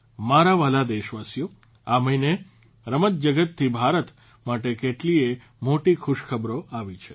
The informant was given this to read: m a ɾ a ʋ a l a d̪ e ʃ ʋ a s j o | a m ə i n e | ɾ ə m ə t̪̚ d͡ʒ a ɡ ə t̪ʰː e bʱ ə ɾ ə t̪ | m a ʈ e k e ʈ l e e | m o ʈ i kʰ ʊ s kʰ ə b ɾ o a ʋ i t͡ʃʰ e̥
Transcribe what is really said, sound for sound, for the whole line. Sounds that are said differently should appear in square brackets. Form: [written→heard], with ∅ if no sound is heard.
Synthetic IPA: m a ɾ a ʋ a l a d̪ e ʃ ʋ a s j o | a m ə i n e | ɾ ə m ə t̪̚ d͡ʒ [a→ə] ɡ ə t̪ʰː [e→i] bʱ [ə→a] ɾ ə t̪ | m a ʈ e k e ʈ l [e→i] e | m o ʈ i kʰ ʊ [s→ʃ] kʰ ə b ɾ o a ʋ i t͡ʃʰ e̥